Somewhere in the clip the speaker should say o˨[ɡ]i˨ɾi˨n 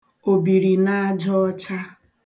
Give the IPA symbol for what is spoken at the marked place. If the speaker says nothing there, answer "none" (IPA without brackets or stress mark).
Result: b